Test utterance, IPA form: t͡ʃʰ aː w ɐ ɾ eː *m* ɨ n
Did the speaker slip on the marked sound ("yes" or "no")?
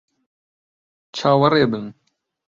yes